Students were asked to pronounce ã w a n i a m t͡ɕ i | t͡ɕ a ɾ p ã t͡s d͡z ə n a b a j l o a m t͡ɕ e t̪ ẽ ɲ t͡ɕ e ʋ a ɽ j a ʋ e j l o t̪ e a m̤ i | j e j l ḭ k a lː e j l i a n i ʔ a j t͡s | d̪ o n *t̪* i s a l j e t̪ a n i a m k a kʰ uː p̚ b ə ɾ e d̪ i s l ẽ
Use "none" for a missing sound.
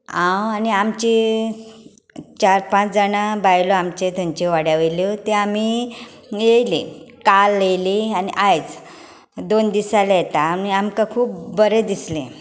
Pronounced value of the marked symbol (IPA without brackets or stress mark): d̪